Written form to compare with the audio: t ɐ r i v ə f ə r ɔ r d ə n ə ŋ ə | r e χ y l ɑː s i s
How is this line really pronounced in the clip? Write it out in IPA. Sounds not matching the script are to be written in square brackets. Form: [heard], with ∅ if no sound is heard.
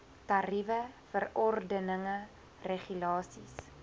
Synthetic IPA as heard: t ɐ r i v ə f ə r ɔ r d ə n ə ŋ ə | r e χ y l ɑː s i s